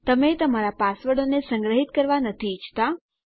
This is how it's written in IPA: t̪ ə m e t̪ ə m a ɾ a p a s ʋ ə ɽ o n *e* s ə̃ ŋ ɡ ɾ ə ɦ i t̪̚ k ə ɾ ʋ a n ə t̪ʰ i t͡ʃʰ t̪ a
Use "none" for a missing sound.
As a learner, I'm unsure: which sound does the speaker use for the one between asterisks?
e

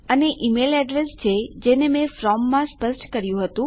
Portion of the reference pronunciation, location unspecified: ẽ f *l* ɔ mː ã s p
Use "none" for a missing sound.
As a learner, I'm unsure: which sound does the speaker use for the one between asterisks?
ɾ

